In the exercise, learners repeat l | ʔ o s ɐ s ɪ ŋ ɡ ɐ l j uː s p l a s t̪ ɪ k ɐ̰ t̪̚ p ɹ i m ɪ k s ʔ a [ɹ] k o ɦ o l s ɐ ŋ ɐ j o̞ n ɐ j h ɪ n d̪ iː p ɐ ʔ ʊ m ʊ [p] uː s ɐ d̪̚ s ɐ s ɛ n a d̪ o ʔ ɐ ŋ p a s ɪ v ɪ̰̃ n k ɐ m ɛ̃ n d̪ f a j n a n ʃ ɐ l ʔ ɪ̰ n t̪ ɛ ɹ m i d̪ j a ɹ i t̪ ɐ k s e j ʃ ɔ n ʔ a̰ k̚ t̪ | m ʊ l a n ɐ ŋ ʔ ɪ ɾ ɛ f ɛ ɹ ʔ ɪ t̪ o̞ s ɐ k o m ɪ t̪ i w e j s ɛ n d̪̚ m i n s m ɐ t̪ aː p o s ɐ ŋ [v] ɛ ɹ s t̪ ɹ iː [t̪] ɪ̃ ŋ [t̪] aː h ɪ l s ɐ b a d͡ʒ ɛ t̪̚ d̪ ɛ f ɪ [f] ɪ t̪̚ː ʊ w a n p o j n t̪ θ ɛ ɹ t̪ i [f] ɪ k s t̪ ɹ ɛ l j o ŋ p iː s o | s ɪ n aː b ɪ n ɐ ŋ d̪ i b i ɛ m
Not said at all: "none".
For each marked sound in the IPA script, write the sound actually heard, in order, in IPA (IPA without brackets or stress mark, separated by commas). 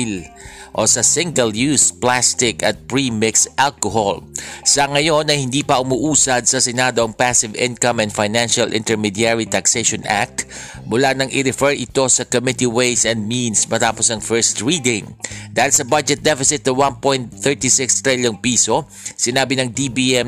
l, ʔ, f, d̪, d̪, s, s